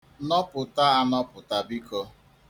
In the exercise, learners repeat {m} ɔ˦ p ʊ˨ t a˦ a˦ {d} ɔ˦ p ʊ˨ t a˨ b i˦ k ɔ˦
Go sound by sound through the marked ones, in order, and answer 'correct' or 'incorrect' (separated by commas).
incorrect, incorrect